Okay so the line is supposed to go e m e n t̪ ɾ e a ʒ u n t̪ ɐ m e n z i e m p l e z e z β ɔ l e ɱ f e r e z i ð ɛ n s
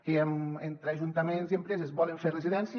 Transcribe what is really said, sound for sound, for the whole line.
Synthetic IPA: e m e n t̪ ɾ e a ʒ u n t̪ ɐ m e n z i e m p ɾ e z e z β ɔ l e ɱ f e r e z i ð ɛ n s